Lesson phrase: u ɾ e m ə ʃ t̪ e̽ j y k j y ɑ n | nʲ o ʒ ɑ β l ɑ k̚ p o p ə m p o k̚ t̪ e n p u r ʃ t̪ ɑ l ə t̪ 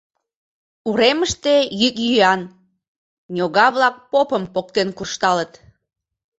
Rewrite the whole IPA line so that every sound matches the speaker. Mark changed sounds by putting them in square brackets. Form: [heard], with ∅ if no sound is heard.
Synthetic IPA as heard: u ɾ e m ə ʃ t̪ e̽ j y k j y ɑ n | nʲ o [ɣ] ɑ β l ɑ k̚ p o p ə m p o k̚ t̪ e n [k] u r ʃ t̪ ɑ l ə t̪

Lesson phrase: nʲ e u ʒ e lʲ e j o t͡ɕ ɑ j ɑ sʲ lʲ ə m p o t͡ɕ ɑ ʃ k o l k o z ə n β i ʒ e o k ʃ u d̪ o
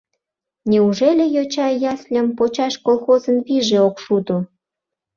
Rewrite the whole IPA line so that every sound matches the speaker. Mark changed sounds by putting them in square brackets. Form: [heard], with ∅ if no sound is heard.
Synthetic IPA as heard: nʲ e u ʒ e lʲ e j o t͡ɕ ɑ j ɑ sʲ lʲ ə m p o t͡ɕ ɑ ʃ k o l [x] o z ə n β i ʒ e o k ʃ u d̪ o

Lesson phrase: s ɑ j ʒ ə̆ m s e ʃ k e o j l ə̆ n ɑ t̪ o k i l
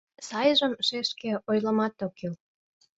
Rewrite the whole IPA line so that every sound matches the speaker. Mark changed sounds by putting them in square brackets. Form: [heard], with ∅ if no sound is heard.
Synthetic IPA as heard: s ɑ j ʒ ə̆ m [ʃ] e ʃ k e o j l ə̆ [m] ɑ t̪ o k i l

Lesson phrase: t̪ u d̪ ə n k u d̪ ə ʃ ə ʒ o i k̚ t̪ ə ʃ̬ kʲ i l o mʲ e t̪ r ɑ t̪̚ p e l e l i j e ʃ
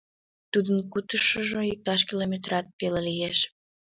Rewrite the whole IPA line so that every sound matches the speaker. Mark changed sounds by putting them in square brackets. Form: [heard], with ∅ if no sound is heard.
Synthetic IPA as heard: t̪ u d̪ ə n k u [t̪] ə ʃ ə ʒ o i k̚ t̪ [ɑ] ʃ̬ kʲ i l o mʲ e t̪ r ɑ t̪̚ p e l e l i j e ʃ

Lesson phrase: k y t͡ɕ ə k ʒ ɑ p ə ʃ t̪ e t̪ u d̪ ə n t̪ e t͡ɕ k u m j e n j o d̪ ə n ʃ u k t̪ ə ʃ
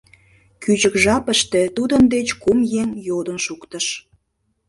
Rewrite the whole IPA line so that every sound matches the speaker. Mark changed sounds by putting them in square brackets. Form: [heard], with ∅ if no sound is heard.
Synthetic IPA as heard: k y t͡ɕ ə k ʒ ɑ p ə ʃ t̪ e t̪ u d̪ ə n [d̪] e t͡ɕ k u m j e [ŋ] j o d̪ ə n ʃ u k t̪ ə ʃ

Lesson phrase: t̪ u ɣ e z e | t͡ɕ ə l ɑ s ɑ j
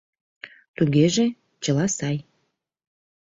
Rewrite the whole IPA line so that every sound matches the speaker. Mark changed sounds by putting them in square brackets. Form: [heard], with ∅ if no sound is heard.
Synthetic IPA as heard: t̪ u ɣ e [ʒ] e | t͡ɕ ə l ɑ s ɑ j

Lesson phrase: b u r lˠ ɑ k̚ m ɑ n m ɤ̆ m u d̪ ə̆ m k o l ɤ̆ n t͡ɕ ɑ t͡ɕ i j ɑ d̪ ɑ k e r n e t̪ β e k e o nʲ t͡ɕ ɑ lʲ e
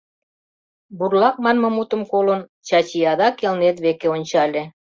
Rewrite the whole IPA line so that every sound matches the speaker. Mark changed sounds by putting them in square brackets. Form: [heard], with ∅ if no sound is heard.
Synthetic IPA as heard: b u r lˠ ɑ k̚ m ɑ n m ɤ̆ m u [t̪] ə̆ m k o l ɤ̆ n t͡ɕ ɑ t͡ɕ i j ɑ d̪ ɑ k e [l] n e t̪ β e k e o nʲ t͡ɕ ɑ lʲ e

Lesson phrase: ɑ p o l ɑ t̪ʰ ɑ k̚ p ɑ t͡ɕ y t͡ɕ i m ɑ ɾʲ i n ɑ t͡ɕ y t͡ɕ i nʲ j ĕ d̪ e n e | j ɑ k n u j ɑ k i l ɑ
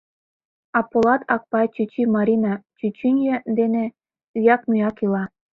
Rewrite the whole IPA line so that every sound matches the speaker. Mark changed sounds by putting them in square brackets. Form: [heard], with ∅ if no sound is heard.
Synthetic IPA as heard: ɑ p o l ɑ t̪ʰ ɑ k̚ p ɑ t͡ɕ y t͡ɕ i m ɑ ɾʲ i n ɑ t͡ɕ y t͡ɕ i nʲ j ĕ d̪ e n e | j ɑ k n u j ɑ k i l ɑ

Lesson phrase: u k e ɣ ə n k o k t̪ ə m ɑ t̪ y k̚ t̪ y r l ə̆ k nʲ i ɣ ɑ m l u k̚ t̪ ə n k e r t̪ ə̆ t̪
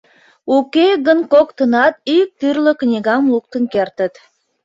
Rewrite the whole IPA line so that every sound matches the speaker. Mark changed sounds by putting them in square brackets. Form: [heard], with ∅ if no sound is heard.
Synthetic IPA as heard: u k e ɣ ə n k o k t̪ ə [n] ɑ t̪ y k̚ t̪ y r l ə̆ k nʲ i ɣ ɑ m l u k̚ t̪ ə n k e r t̪ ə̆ t̪

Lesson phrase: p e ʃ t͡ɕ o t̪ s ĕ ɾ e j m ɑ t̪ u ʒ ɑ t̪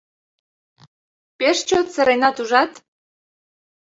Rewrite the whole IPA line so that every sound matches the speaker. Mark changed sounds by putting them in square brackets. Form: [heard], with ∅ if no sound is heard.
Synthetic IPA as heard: p e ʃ t͡ɕ o t̪ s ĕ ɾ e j [n] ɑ t̪ u ʒ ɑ t̪

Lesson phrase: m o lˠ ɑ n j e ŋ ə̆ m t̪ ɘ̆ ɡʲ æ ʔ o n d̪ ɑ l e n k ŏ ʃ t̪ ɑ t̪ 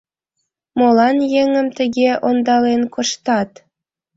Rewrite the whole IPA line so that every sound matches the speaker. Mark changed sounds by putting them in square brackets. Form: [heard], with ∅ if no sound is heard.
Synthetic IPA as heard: m o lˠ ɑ n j e ŋ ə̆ m t̪ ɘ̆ ɡʲ [e] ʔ o n d̪ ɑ l e n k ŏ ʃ t̪ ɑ t̪

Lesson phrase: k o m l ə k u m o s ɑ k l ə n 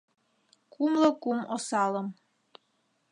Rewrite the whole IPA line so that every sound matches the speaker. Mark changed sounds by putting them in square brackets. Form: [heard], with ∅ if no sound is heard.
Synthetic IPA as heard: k [u] m l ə k u m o s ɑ [∅] l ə [m]

